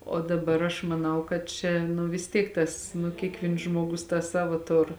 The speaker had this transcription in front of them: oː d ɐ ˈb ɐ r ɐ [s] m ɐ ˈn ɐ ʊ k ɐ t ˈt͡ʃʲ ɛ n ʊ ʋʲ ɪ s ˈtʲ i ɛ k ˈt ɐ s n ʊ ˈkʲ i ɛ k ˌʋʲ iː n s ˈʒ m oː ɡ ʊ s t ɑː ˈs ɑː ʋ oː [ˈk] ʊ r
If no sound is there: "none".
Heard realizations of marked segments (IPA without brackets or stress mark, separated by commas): ʃ, t